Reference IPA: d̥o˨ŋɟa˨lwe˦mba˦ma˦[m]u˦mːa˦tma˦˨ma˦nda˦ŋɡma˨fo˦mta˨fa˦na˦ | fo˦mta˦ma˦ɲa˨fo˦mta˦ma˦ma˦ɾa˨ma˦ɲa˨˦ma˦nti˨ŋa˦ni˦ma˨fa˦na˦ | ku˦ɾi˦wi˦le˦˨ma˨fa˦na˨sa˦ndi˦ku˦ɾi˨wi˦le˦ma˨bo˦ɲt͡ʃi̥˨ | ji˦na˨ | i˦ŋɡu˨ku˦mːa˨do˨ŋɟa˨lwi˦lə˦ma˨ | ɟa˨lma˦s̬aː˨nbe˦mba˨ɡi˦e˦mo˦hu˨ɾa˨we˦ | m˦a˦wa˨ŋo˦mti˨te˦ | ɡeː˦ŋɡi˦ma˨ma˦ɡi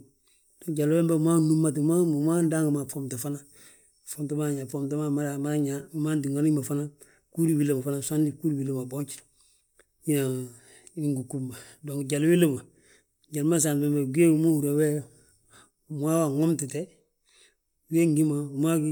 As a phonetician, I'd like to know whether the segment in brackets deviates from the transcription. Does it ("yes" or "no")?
yes